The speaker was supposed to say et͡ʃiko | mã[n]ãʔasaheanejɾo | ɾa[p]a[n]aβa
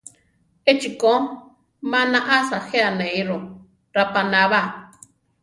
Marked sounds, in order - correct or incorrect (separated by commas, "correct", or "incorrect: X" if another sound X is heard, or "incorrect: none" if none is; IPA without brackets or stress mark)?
correct, correct, correct